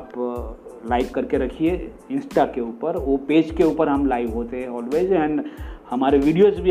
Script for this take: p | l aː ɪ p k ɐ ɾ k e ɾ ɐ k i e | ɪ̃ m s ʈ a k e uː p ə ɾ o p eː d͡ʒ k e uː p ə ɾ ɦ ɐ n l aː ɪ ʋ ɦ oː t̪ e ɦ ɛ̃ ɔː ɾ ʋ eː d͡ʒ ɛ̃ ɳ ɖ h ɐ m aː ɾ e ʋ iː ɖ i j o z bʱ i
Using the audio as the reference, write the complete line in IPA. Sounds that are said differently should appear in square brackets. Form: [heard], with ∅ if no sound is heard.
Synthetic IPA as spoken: p | l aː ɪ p k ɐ ɾ k e ɾ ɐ [kʰ] i e | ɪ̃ [n] s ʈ a k e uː p ə ɾ o p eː d͡ʒ k e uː p ə ɾ ɦ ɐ [m] l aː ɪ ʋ ɦ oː t̪ e ɦ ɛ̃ ɔː [l] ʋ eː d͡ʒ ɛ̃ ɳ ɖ h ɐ m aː ɾ e ʋ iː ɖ i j o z bʱ i